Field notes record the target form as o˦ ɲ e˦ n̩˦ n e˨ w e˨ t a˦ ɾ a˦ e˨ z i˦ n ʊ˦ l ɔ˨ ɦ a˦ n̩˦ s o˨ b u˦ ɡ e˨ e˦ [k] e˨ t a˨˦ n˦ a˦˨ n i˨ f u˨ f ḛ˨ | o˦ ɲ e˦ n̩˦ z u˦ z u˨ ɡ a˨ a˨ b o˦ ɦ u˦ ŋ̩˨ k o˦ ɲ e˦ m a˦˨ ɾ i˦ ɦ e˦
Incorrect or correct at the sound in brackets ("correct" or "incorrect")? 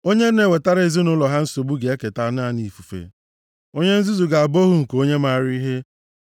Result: correct